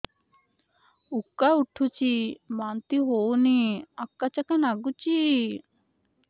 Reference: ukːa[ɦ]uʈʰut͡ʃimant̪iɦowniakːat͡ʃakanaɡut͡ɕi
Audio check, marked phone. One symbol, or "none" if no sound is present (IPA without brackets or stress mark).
none